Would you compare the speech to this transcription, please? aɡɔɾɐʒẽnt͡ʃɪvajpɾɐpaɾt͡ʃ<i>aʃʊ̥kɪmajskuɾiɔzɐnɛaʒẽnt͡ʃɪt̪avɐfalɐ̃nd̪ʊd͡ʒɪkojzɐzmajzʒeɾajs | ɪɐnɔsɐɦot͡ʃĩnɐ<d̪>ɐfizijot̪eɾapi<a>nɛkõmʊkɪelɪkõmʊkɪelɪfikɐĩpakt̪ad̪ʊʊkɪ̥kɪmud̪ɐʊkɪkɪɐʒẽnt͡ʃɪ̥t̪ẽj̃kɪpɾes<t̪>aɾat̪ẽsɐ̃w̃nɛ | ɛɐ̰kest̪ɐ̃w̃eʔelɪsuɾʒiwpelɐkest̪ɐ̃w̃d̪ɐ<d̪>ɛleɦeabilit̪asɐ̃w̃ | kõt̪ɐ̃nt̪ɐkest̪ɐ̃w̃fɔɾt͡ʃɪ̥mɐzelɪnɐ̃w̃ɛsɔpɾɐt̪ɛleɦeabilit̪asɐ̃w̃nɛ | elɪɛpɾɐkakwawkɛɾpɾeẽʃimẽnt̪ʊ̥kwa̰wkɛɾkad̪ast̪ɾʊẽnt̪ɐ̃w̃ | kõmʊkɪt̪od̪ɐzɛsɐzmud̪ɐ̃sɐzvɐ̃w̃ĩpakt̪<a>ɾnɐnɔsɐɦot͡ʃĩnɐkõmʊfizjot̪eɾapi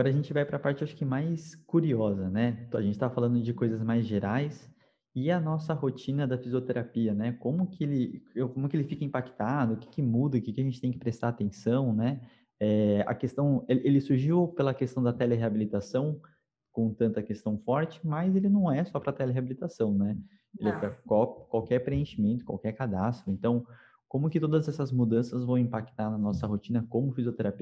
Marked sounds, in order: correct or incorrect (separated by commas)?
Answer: incorrect, correct, incorrect, correct, incorrect, correct